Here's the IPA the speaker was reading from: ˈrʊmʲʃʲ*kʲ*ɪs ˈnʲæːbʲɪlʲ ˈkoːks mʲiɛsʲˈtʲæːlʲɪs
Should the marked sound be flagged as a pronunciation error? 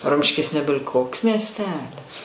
no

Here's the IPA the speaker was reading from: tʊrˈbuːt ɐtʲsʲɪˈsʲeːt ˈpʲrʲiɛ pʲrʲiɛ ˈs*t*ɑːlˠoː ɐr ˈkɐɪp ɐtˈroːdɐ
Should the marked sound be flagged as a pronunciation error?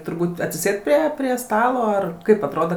no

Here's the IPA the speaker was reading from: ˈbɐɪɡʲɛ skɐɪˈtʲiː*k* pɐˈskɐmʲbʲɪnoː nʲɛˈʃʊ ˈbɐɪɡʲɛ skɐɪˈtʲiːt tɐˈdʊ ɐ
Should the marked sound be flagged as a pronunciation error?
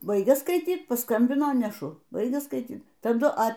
yes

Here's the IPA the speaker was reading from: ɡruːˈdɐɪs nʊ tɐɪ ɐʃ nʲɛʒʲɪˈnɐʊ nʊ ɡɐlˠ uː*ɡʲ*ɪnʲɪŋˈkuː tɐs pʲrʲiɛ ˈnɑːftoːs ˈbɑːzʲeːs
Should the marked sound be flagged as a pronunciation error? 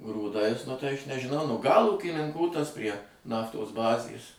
yes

